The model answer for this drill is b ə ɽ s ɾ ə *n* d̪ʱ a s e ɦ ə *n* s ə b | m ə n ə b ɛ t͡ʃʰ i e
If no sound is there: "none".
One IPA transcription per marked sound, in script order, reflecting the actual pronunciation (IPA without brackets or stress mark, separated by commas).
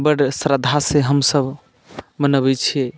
none, m